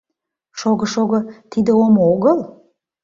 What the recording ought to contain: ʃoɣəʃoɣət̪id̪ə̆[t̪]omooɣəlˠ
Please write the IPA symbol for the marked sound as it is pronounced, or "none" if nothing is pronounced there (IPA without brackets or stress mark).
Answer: none